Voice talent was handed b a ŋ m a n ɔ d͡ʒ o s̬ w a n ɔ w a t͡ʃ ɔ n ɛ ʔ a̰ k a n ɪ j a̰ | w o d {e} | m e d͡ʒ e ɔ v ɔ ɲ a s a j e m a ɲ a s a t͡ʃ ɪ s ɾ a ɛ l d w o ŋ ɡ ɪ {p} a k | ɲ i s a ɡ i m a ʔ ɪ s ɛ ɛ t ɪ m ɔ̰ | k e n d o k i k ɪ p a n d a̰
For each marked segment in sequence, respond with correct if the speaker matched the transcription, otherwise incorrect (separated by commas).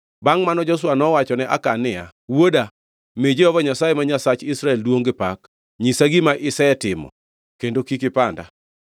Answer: incorrect, correct